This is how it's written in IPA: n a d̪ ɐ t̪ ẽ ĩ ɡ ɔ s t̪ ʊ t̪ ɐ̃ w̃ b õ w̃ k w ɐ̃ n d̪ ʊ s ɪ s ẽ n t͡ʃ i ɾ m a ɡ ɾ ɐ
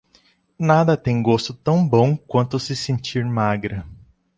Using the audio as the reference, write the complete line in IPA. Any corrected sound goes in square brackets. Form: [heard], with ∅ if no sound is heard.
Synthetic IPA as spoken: n a d̪ ɐ t̪ ẽ [j̃] ɡ [o] s t̪ ʊ t̪ ɐ̃ w̃ b õ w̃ k w ɐ̃ n [t̪] ʊ s ɪ s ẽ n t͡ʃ i ɾ m a ɡ ɾ ɐ